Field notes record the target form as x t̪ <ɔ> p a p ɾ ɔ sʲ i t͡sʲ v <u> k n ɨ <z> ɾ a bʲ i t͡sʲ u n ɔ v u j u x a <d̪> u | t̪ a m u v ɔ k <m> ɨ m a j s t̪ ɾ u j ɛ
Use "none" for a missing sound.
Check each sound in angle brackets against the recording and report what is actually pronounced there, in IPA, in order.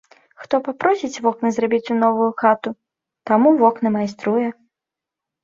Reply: ɔ, ɔ, z, t̪, n

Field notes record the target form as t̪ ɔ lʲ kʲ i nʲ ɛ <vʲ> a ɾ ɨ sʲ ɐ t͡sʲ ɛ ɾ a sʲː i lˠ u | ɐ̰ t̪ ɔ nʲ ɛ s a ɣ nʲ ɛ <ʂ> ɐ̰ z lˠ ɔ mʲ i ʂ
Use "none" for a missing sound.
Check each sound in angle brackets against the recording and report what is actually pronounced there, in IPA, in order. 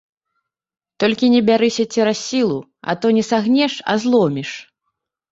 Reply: bʲ, ʂ

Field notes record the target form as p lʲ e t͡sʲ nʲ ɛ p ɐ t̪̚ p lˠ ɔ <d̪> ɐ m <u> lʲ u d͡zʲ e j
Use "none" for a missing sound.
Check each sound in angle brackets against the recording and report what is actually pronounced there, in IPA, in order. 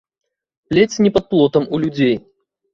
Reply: t̪, u

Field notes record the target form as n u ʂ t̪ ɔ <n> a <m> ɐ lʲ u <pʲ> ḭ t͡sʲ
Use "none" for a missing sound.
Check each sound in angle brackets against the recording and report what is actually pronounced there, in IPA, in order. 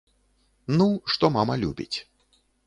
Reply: m, m, bʲ

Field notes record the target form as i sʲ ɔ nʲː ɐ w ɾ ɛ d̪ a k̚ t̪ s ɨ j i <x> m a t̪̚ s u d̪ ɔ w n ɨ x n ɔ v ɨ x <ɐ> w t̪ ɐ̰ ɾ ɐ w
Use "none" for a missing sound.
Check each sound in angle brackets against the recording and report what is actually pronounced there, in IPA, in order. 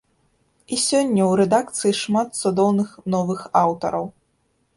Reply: ʂ, a

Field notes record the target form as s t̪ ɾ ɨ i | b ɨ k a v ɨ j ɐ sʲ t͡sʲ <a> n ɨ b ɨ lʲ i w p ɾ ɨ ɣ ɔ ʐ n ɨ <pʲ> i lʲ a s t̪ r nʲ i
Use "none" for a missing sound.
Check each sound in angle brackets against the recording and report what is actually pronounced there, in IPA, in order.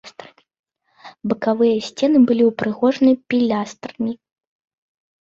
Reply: ɛ, pʲ

